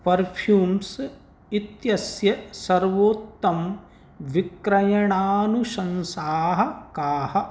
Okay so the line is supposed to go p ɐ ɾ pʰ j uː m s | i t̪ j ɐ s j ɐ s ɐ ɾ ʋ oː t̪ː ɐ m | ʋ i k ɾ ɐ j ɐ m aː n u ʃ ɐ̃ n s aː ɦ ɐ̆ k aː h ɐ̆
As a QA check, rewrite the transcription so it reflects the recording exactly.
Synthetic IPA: p ɐ ɾ pʰ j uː m s | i t̪ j ɐ s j ɐ s ɐ ɾ ʋ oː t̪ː ɐ m | ʋ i k ɾ ɐ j ɐ ɳ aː n u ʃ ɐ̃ n s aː ɦ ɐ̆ k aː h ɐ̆

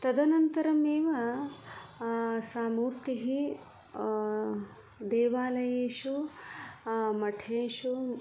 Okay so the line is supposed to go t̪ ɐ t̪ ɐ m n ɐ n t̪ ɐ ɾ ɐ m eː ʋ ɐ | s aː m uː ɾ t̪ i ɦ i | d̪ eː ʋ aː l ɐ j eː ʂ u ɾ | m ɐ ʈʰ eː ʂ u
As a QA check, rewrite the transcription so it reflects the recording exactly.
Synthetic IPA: t̪ ɐ d̪ ɐ n ɐ n t̪ ɐ ɾ ɐ m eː ʋ ɐ | s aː m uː ɾ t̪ i ɦ i | d̪ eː ʋ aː l ɐ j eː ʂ u | m ɐ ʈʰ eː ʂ u

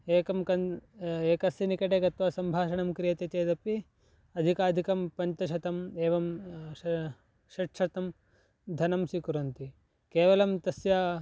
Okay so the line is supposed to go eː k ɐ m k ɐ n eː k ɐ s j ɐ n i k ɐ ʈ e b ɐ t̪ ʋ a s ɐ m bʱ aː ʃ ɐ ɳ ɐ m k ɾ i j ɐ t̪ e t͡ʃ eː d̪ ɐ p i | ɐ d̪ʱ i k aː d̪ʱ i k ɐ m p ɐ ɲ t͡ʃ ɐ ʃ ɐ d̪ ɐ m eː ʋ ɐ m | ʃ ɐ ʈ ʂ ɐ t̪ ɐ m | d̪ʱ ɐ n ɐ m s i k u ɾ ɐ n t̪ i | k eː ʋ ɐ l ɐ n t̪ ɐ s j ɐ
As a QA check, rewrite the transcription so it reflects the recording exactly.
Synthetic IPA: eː k ɐ m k ɐ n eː k ɐ s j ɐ n i k ɐ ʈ e ɡ ɐ t̪ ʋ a s ɐ m bʱ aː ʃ ɐ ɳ ɐ m k ɾ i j ɐ t̪ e t͡ʃ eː d̪ ɐ p i | ɐ d̪ʱ i k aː d̪ʱ i k ɐ m p ɐ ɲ t͡ʃ ɐ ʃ ɐ t̪ ɐ m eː ʋ ɐ m | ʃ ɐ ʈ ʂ ɐ t̪ ɐ m | d̪ʱ ɐ n ɐ m s i k u ɾ ɐ n t̪ i | k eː ʋ ɐ l ɐ m t̪ ɐ s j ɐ

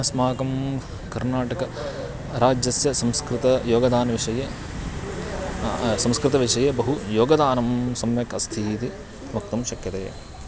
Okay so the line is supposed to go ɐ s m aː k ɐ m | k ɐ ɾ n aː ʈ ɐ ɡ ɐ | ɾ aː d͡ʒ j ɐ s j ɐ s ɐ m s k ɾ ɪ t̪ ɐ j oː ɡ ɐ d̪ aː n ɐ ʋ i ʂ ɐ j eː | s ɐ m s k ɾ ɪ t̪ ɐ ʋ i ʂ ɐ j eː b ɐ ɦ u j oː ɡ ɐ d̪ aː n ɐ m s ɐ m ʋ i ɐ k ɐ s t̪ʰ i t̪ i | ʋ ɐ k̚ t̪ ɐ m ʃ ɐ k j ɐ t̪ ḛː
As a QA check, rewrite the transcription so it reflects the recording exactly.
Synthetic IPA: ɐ s m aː k ɐ m | k ɐ ɾ n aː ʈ ɐ k ɐ | ɾ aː d͡ʒ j ɐ s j ɐ s ɐ m s k ɾ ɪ t̪ ɐ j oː ɡ ɐ d̪ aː n ɐ ʋ i ʂ ɐ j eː | s ɐ m s k ɾ ɪ t̪ ɐ ʋ i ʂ ɐ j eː b ɐ ɦ u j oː ɡ ɐ d̪ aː n ɐ m s ɐ m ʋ j ɐ k ɐ s t̪ʰ iː t̪ i | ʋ ɐ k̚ t̪ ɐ m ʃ ɐ k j ɐ t̪ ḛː

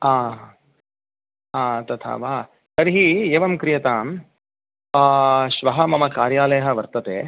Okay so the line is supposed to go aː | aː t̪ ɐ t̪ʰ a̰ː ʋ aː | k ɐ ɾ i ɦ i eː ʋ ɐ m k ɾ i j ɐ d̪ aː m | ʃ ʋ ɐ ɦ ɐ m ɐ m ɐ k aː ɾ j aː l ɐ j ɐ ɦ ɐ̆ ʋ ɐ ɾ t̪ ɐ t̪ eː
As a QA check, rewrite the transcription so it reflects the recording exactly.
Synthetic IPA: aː | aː t̪ ɐ t̪ʰ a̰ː ʋ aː | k ɐ ɾ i ɦ i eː ʋ ɐ m k ɾ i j ɐ t̪ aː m | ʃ ʋ ɐ ɦ ɐ m ɐ m ɐ k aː ɾ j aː l ɐ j ɐ ɦ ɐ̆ ʋ ɐ ɾ t̪ ɐ t̪ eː

